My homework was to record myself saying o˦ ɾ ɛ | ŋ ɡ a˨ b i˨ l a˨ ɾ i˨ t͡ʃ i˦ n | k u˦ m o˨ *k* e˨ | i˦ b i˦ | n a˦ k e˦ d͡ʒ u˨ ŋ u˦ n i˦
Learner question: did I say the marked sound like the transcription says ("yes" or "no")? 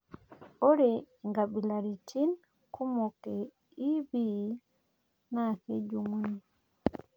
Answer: yes